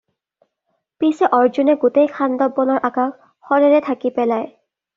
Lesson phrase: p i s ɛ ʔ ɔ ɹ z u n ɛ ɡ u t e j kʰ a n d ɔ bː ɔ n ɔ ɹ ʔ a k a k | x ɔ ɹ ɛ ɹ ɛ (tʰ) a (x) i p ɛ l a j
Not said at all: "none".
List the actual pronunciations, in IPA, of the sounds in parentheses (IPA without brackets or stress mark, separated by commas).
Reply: tʰ, k